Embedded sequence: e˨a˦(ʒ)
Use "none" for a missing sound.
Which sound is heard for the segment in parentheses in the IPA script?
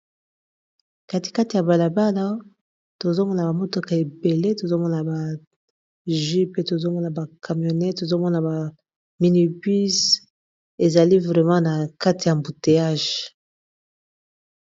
ʒ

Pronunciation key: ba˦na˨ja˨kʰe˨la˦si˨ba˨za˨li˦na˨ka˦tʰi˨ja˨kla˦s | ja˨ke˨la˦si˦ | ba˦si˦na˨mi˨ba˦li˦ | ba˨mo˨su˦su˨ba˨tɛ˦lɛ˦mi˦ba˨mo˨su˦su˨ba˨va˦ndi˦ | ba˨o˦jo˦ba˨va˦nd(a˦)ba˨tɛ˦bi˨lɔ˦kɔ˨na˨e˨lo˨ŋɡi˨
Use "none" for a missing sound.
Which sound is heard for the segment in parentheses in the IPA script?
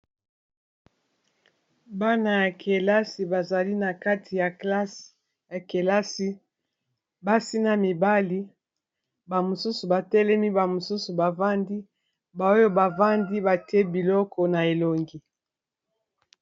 i˦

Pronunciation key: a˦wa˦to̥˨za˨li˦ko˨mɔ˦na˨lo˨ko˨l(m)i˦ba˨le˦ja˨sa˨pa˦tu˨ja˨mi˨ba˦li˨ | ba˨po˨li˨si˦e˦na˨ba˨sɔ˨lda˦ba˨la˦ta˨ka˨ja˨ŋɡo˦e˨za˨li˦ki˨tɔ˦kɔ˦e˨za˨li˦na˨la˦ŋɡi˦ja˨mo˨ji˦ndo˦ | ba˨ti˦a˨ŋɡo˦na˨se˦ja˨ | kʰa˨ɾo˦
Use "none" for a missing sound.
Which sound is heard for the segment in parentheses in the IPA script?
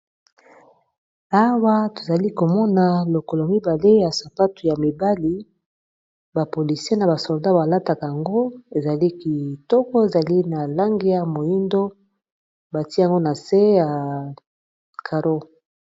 m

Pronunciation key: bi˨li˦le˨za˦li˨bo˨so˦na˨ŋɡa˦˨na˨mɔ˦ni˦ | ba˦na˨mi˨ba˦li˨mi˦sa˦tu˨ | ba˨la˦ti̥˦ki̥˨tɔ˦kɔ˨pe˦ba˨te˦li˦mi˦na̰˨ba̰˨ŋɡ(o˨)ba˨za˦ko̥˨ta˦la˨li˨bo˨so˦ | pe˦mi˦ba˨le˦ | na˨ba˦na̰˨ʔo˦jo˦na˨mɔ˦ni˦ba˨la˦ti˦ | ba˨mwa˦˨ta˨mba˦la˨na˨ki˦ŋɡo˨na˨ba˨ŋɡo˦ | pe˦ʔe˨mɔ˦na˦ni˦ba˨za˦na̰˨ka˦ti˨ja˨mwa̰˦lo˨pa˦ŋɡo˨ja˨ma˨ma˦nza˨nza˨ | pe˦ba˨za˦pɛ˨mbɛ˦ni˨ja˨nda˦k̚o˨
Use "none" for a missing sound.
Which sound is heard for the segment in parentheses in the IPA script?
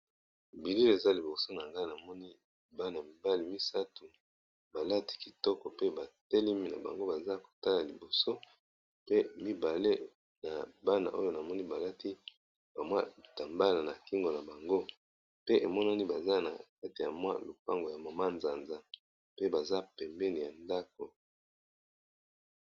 o˦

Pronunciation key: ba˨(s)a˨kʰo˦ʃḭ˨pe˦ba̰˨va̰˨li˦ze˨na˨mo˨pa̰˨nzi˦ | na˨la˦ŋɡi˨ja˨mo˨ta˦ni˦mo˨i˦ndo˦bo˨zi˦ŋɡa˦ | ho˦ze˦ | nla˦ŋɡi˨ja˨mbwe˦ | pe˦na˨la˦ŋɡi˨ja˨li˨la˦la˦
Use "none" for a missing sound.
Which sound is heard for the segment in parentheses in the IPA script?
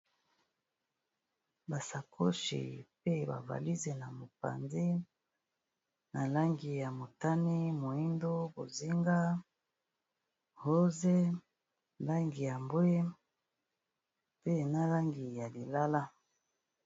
s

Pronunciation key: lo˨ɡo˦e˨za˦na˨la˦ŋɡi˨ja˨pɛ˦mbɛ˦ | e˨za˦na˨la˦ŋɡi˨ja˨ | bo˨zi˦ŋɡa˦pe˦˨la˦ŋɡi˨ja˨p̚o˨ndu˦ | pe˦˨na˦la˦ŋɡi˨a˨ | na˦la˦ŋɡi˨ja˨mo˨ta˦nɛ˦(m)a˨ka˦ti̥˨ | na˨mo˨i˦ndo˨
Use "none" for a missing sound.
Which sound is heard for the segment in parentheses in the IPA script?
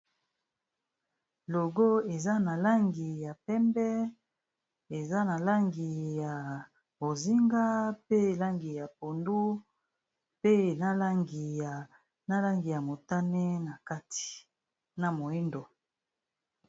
n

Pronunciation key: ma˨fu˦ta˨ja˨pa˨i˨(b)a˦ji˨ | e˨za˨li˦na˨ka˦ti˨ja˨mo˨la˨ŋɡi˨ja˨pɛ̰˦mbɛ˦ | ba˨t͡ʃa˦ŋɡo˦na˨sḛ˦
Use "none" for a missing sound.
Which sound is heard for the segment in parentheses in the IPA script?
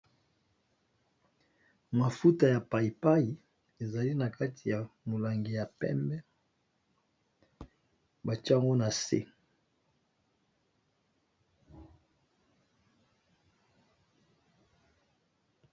p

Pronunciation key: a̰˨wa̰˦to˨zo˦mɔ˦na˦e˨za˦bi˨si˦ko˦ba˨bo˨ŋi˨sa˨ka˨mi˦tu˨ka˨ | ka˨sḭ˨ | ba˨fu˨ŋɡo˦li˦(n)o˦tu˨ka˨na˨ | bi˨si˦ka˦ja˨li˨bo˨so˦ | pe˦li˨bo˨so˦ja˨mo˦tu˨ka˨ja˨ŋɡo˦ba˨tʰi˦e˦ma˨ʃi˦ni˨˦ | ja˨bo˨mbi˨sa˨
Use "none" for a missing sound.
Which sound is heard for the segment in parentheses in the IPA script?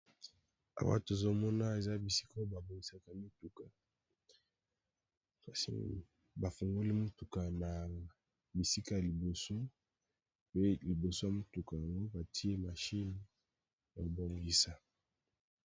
m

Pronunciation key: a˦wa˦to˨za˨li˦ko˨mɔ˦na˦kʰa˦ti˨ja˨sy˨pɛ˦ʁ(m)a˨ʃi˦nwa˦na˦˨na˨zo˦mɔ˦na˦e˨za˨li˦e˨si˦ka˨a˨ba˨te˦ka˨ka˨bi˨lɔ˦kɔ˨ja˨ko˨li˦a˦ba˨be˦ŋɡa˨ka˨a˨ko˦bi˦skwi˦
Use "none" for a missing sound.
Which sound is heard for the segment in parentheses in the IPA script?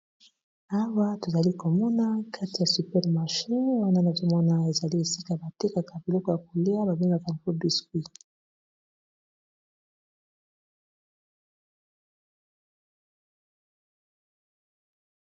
m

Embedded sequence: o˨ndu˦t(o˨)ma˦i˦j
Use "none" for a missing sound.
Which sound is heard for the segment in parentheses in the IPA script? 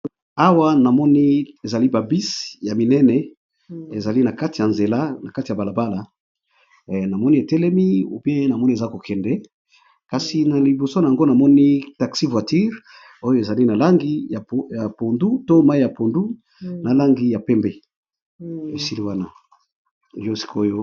o˦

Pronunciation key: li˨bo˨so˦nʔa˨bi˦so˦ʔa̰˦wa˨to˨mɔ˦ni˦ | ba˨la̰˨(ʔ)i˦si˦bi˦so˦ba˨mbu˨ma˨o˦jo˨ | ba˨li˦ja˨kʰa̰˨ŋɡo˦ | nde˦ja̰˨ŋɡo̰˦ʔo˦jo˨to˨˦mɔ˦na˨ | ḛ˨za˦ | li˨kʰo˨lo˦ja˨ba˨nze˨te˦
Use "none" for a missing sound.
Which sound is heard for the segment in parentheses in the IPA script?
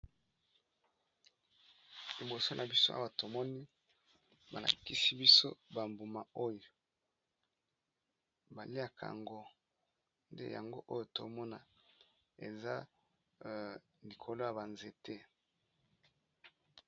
k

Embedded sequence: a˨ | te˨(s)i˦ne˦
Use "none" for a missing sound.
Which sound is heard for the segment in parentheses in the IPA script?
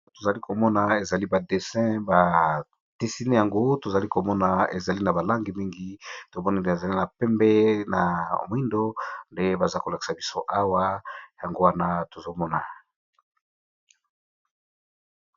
s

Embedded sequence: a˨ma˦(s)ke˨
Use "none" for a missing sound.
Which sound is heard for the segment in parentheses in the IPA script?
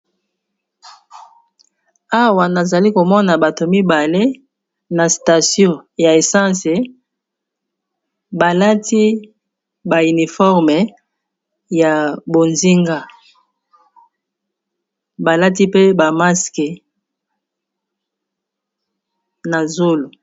s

